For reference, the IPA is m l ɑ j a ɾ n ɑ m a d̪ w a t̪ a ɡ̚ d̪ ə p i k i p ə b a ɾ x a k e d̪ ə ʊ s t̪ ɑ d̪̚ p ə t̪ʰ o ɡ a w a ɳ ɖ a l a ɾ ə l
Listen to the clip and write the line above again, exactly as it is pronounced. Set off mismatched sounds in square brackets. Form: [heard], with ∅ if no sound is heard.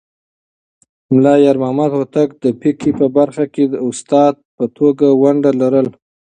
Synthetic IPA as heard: m l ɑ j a ɾ [m] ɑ m a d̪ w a t̪ a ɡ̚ d̪ ə p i k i p ə b a ɾ x a k e d̪ ə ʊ s t̪ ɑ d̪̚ p ə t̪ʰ o ɡ a w a ɳ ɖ a l a ɾ ə l